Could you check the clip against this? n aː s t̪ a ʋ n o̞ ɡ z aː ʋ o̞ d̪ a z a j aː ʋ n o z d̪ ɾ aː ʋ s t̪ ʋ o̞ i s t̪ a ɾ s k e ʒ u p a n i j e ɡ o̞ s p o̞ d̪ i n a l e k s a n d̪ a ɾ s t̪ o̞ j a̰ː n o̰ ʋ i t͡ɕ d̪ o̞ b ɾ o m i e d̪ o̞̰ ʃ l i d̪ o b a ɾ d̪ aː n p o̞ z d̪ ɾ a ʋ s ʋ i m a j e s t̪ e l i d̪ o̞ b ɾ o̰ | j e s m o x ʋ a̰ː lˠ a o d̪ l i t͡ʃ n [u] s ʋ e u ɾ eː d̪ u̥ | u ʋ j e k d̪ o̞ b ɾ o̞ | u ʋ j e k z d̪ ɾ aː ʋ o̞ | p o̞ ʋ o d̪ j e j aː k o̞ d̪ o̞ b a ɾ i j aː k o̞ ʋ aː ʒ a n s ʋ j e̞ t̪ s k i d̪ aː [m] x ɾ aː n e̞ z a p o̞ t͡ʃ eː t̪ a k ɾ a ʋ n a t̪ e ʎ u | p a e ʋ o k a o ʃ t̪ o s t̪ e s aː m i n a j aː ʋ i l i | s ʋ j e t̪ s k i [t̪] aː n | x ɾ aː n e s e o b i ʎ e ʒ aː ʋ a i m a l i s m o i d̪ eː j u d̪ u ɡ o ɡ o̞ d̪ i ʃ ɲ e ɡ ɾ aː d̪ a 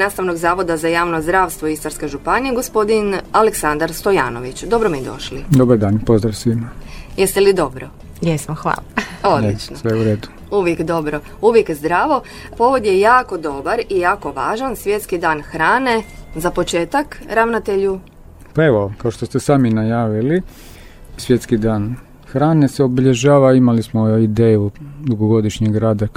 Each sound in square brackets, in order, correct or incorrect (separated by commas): incorrect, incorrect, incorrect